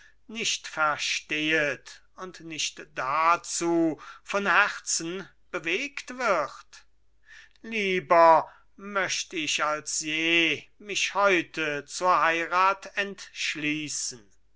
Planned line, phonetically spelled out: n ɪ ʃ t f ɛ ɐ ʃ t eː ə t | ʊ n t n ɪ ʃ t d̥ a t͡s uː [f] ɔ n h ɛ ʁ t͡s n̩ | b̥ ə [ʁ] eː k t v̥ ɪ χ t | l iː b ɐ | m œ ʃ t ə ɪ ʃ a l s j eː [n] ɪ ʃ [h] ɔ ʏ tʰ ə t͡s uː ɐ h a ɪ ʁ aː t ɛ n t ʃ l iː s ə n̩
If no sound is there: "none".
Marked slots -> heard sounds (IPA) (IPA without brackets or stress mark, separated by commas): f, v, m, h